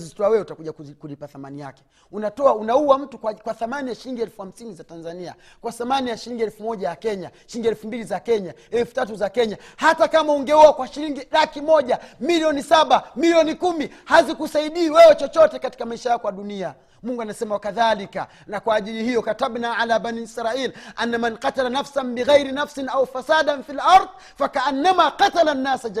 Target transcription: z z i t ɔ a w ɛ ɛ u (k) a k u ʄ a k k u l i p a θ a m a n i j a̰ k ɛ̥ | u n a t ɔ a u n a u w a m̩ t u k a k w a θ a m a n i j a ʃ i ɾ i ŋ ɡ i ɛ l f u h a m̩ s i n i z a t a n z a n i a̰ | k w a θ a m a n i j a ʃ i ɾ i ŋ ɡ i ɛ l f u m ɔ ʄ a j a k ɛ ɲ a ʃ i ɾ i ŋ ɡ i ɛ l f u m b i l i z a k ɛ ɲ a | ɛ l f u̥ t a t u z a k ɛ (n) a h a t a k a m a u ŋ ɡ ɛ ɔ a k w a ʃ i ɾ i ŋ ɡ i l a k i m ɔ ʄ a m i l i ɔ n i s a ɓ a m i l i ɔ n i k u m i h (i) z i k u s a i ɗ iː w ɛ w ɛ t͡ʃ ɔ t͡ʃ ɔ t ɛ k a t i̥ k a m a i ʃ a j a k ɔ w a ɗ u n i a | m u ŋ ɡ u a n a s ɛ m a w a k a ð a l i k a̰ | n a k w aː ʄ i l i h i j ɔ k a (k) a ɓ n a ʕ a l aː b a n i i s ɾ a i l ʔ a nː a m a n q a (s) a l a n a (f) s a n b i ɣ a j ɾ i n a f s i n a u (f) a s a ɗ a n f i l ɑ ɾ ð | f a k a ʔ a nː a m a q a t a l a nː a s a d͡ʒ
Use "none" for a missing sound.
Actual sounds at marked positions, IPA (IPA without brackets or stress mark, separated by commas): t, ɲ, a, t, t, f, f